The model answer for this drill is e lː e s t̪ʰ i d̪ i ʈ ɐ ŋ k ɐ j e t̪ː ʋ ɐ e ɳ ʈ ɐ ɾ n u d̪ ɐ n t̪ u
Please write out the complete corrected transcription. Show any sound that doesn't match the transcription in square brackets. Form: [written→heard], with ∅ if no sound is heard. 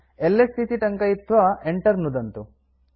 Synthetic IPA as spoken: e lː e s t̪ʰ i [d̪→t̪] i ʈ ɐ ŋ k ɐ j [e→i] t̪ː ʋ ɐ e ɳ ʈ ɐ ɾ n u d̪ ɐ n t̪ u